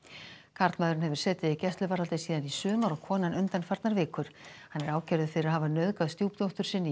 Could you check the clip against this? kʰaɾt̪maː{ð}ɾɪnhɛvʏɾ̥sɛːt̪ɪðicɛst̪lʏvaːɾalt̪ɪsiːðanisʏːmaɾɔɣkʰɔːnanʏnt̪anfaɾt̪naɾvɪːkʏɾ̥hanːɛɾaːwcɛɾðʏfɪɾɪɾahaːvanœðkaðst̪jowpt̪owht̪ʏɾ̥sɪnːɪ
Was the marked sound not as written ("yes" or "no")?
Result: no